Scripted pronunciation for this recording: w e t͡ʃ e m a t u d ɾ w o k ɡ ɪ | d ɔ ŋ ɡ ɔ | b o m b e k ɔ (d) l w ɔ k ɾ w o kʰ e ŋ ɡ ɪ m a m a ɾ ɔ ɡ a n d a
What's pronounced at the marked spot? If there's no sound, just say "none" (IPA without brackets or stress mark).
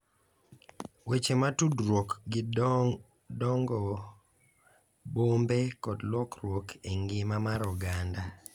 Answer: d